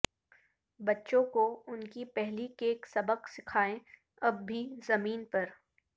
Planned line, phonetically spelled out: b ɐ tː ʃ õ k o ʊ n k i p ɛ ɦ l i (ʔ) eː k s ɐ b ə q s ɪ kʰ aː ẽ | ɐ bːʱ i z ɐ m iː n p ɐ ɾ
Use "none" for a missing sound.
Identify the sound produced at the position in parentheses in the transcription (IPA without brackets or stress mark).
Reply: k